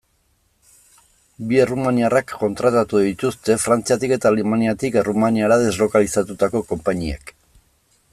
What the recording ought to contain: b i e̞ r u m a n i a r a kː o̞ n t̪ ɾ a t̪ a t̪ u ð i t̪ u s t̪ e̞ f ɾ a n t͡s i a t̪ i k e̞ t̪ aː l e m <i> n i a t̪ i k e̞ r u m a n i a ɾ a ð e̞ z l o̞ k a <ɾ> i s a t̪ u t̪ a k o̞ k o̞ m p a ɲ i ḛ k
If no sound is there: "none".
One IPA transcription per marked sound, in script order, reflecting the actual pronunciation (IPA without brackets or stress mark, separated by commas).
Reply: a, l